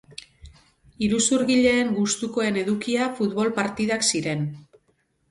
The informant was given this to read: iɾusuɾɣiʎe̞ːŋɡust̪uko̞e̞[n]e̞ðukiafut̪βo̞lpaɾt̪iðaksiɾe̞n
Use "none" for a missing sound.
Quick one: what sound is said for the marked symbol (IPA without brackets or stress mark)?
n